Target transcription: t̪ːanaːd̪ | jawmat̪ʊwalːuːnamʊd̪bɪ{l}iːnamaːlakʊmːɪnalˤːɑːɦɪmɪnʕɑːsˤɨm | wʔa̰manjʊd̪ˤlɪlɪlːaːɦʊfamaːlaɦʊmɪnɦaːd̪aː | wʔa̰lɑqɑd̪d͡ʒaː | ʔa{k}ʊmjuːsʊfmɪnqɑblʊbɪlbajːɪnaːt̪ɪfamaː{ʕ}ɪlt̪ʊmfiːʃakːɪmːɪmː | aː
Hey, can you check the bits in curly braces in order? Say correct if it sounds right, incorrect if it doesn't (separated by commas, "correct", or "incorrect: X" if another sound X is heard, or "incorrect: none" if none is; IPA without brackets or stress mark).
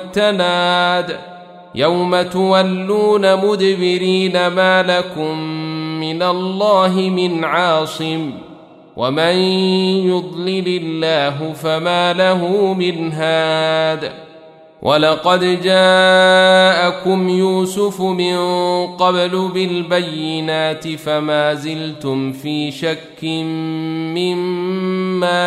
incorrect: ɾ, correct, incorrect: z